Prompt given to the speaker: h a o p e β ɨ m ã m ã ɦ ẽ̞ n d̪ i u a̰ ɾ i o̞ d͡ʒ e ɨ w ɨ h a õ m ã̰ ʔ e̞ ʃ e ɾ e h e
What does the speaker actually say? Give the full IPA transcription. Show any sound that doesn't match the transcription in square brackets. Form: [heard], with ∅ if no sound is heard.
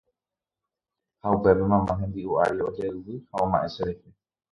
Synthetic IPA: h a [u] p e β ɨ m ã m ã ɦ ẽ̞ n d̪ i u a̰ ɾ i o̞ d͡ʒ e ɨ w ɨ h a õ m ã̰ ʔ e̞ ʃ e ɾ e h e